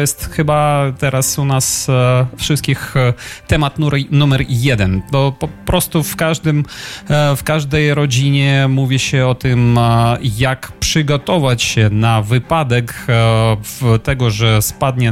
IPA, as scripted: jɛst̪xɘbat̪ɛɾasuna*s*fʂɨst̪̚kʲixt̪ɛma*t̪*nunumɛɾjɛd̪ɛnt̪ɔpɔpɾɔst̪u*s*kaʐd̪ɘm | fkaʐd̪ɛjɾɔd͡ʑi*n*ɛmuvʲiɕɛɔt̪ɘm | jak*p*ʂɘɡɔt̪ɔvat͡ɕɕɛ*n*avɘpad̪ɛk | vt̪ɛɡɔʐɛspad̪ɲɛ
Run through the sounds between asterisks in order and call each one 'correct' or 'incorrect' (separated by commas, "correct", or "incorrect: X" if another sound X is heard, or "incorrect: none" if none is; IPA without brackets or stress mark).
correct, correct, incorrect: f, incorrect: ɲ, correct, correct